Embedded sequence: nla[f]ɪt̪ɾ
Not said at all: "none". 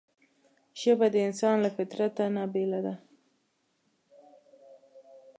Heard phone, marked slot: f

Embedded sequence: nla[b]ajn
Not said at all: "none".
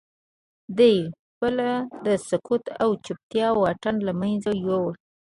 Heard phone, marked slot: m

